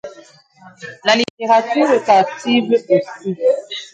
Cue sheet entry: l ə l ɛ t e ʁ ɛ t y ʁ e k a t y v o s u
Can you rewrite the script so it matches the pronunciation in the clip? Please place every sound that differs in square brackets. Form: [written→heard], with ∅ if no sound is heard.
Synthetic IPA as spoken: l [ə→a] l [ɛ→i] t e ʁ [ɛ→a] t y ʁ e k a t [y→i] v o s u